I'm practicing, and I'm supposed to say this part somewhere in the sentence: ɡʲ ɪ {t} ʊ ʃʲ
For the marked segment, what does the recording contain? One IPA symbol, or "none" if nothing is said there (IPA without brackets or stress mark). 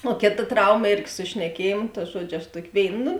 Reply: s